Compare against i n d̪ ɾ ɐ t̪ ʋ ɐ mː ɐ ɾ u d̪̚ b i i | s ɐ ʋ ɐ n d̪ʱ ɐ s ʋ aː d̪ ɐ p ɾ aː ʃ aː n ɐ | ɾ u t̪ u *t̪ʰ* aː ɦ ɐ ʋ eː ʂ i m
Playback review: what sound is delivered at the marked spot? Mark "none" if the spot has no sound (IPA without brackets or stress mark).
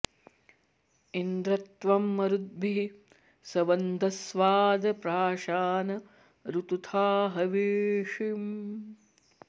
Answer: t̪ʰ